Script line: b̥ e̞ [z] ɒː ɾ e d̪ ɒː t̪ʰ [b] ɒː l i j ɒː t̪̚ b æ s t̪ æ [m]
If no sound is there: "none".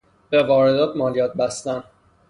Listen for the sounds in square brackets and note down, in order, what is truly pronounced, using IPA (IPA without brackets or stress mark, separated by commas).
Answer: v, m, n